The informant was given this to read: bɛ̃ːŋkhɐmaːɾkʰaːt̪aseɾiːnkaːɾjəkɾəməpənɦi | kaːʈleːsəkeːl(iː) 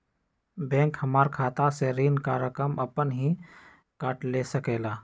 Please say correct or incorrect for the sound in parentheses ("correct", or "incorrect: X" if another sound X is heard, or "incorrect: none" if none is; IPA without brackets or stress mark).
incorrect: aː